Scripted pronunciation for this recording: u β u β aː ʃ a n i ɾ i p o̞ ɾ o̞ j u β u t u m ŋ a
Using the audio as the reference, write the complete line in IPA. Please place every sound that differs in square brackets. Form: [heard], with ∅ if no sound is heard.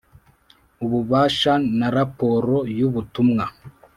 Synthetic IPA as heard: u β u β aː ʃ a n [a] ɾ [a] p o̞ ɾ o̞ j u β u t u m ŋ a